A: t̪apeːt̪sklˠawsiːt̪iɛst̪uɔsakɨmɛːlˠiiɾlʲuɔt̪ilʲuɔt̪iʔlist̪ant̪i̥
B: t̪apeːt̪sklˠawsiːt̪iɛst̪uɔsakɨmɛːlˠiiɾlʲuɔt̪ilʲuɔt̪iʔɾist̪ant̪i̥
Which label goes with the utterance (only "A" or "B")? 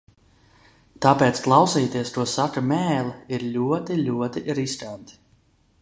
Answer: B